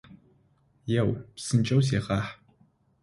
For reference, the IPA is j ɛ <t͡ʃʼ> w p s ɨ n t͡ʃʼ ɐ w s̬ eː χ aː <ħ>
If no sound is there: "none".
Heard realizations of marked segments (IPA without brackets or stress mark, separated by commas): none, ħ